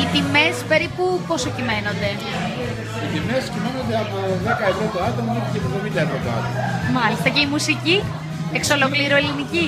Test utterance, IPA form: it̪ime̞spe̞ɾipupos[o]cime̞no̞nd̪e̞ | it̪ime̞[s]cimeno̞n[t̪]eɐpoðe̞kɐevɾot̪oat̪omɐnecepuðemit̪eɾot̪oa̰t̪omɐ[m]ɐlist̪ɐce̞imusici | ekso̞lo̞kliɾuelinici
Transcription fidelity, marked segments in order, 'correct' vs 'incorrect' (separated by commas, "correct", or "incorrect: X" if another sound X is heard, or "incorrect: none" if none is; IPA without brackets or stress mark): correct, correct, incorrect: d̪, correct